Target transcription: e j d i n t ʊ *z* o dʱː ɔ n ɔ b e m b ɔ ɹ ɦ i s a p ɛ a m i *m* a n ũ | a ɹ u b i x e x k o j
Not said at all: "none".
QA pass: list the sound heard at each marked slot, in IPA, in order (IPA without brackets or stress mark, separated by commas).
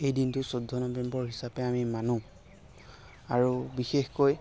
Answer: s, m